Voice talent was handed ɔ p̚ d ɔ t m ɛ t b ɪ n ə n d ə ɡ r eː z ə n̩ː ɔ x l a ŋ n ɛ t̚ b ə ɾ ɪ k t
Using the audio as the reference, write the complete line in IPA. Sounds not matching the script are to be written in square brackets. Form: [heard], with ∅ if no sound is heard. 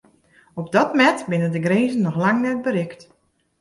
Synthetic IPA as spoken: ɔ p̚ d ɔ t m ɛ t b ɪ n ə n d ə ɡ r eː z ə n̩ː ɔ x l a ŋ n ɛ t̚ b ə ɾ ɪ k t